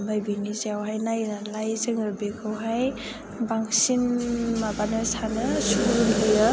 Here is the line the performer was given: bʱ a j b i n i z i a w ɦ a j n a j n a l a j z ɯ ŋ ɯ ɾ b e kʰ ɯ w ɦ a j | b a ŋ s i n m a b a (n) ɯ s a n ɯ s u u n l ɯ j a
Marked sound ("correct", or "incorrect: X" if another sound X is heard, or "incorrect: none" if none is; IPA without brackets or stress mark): correct